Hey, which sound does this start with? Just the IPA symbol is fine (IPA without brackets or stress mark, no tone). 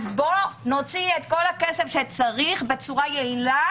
z